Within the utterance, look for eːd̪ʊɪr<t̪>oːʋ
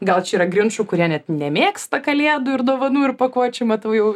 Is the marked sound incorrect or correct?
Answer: incorrect